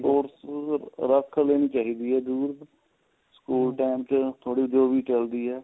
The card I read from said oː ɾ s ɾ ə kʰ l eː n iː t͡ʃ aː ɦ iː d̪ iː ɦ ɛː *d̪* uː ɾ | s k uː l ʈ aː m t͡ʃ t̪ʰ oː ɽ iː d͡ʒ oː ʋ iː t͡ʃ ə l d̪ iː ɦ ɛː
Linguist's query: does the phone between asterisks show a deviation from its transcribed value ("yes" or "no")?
no